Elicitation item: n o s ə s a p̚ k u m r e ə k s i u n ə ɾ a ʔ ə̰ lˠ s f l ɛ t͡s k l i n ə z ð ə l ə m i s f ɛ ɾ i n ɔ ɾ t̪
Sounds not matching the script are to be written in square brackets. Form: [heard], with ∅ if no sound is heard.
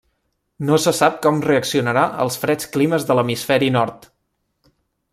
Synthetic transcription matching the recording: n o s ə s a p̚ k [ɔ] m r e ə k s i u n ə ɾ a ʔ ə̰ lˠ s f [ɾ] ɛ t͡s k l i [m] ə z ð ə l ə m i s f ɛ ɾ i n ɔ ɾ t̪